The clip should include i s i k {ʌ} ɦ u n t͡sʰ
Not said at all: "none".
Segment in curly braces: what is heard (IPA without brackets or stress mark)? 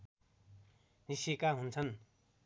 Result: a